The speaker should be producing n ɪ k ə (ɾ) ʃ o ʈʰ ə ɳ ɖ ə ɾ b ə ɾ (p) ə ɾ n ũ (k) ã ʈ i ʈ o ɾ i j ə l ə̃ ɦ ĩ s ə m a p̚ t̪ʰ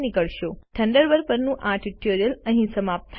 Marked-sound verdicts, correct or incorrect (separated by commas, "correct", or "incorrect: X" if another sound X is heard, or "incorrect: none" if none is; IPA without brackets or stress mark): incorrect: ɭ, correct, incorrect: ʔ